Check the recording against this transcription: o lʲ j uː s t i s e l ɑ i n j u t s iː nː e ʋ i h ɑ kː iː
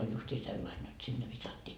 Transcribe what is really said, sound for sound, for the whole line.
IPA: o lʲ j u s t iː s e lː ɑ i n j o t s i nː e ʋ i s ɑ tː iː